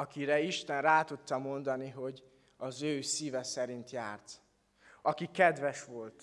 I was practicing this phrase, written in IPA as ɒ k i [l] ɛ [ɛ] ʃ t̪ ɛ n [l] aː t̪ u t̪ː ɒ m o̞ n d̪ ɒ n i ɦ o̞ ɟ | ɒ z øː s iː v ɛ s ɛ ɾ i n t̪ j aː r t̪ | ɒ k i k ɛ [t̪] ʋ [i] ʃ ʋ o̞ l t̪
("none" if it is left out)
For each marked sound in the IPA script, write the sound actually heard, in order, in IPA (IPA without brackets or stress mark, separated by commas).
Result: ɾ, i, r, d̪, ɛ